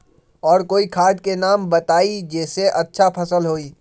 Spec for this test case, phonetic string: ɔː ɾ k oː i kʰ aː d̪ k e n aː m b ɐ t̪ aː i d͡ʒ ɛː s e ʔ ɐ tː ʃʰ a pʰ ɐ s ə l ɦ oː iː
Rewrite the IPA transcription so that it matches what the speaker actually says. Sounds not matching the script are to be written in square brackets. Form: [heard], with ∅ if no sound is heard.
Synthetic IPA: ɔː ɾ k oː i kʰ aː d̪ k e n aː m b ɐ t̪ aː i d͡ʒ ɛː s e ʔ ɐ tː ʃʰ a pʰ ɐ s ə l ɦ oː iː